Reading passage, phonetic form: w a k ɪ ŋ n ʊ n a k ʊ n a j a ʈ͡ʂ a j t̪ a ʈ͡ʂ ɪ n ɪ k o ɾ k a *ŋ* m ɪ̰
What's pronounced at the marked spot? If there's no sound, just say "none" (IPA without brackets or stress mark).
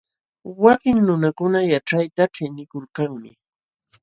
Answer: ŋ